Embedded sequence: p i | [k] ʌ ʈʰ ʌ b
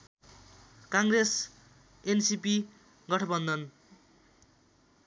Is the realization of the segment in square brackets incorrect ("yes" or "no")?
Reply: yes